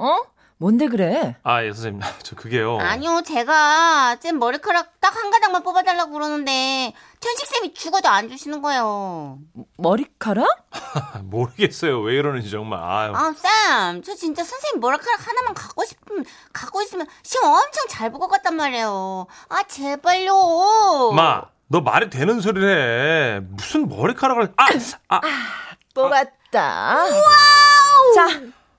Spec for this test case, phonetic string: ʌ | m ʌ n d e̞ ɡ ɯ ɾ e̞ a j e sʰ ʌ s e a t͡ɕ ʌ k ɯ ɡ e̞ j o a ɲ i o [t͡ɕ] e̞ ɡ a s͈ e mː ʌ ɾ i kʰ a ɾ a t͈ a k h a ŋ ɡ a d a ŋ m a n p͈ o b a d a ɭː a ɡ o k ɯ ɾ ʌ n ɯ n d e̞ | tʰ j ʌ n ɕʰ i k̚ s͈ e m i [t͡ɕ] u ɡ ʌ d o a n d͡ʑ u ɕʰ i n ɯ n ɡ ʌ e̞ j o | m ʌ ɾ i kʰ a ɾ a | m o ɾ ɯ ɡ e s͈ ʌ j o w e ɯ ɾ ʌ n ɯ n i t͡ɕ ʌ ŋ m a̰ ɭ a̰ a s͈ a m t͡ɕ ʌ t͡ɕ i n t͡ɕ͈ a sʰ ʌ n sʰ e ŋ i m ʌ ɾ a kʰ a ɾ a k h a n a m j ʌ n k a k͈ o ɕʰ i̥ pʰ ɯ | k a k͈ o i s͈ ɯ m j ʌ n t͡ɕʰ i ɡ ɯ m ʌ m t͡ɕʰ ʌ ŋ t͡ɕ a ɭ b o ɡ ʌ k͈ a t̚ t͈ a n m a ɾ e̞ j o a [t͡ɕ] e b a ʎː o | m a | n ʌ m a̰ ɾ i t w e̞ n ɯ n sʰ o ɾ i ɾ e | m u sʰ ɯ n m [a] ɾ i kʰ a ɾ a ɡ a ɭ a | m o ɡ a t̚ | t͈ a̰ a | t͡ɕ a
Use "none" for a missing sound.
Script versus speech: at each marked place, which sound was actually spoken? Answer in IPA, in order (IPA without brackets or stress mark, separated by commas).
t͡ɕ, t͡ɕ, t͡ɕ, ʌ